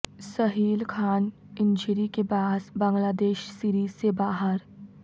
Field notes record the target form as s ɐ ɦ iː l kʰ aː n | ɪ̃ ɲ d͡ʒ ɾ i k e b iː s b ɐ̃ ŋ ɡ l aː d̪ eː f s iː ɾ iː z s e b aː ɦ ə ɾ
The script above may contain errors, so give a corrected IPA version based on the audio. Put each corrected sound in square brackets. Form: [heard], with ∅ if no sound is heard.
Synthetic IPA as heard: s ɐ ɦ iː l kʰ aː n | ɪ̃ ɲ d͡ʒ ɾ i k e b [aː] s b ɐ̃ ŋ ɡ l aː d̪ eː [ʃ] s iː ɾ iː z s e b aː ɦ ə ɾ